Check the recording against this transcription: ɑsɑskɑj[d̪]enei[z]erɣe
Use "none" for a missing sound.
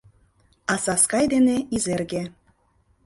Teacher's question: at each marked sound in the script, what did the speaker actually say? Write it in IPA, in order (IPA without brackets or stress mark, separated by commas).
d̪, z